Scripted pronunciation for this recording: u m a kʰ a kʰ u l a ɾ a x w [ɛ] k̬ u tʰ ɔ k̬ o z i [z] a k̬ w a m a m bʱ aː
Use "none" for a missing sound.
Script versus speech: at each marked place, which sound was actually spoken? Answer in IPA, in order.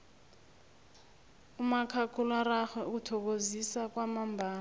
ɛ, s

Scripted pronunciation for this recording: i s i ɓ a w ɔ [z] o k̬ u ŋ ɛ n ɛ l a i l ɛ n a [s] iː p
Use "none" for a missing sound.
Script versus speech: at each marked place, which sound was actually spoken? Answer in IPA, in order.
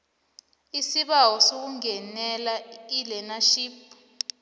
s, ʃ

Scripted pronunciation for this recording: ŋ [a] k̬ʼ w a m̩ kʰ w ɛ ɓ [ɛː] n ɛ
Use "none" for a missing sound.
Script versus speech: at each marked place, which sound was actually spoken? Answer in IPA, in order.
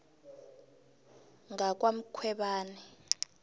a, aː

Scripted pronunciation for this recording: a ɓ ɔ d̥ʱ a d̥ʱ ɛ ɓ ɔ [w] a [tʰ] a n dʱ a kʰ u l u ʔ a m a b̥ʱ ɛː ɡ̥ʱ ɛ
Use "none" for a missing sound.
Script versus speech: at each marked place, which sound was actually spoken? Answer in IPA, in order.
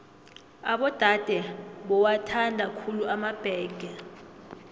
w, tʰ

